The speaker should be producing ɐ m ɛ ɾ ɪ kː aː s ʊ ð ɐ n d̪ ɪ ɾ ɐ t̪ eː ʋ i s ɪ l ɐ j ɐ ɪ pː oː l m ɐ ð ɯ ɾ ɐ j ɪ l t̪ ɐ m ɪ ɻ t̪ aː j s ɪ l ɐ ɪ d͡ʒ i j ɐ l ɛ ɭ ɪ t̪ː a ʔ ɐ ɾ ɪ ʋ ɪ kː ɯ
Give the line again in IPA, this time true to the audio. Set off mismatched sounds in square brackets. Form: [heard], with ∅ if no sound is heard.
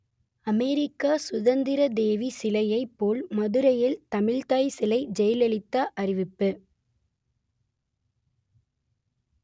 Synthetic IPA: ɐ m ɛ ɾ ɪ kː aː s ʊ ð ɐ n d̪ ɪ ɾ ɐ [d̪] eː ʋ i s ɪ l ɐ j ɐ ɪ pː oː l m ɐ ð ɯ ɾ ɐ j ɪ l t̪ ɐ m ɪ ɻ t̪ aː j s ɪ l ɐ ɪ d͡ʒ [ɛ] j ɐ l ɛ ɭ ɪ t̪ː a ʔ ɐ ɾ ɪ ʋ ɪ [pː] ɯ